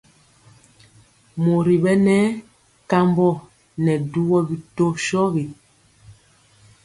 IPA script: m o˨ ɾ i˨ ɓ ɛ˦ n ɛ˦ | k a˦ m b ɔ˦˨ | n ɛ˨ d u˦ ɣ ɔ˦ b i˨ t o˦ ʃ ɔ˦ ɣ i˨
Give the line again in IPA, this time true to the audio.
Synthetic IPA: m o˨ ɾ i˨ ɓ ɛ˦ n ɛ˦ | k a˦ m b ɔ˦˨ | n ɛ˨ d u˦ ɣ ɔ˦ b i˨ t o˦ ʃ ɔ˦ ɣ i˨